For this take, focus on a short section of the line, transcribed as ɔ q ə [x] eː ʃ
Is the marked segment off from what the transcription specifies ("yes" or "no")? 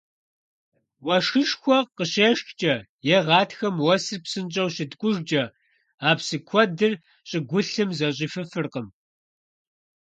yes